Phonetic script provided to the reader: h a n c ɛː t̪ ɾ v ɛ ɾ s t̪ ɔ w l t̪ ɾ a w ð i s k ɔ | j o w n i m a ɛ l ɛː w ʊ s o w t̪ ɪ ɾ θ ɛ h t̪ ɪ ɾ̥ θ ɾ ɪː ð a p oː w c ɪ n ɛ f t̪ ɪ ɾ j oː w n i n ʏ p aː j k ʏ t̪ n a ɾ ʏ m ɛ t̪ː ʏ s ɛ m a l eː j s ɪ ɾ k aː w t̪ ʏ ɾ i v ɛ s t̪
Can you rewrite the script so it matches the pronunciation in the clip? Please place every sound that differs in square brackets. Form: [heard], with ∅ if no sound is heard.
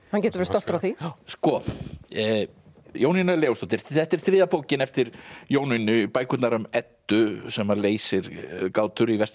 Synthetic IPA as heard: h a n c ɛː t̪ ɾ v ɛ ɾ s t̪ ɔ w l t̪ ɾ a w [θ] i s k ɔ | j o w n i [n] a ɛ l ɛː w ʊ s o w t̪ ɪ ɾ θ ɛ h t̪ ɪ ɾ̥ θ ɾ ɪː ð a p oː w c ɪ n ɛ f t̪ ɪ ɾ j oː w n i n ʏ p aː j k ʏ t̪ n a ɾ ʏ m ɛ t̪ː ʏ s ɛ m a l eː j s ɪ ɾ k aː w t̪ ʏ ɾ i v ɛ s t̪